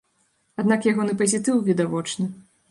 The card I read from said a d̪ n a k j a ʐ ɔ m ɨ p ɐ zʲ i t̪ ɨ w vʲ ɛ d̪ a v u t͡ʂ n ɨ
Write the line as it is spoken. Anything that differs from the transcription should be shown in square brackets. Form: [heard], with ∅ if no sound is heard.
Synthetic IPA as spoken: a d̪ n a k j a [ɣ] ɔ [n] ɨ p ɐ zʲ i t̪ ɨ w vʲ [i] d̪ a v [ɔ] t͡ʂ n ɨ